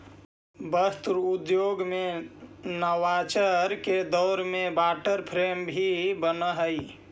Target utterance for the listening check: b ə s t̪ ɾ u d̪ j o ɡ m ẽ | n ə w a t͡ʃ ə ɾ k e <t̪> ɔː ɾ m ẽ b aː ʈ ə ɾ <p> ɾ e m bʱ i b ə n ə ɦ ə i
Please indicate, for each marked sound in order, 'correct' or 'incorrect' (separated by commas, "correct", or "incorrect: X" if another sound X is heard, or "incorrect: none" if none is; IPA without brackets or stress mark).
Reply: incorrect: d̪, incorrect: pʰ